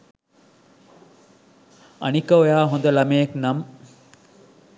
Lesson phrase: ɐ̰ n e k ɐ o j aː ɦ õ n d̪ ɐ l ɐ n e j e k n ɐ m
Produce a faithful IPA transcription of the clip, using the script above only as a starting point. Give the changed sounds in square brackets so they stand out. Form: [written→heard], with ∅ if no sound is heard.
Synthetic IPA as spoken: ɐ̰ n [e→i] k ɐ o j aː ɦ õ n d̪ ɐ l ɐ [n→m] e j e k n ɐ m